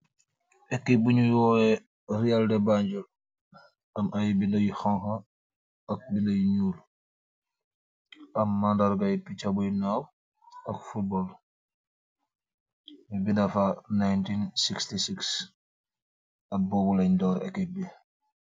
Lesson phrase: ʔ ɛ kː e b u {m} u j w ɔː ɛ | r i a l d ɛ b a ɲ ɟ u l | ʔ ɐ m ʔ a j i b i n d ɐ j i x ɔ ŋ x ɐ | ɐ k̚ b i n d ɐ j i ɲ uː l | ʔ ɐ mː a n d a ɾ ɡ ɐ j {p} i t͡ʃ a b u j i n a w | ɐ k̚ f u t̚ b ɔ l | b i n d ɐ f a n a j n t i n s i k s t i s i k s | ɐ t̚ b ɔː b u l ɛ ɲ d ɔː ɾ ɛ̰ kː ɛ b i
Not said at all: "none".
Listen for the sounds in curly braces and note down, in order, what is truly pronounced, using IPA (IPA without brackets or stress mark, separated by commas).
ɲ, p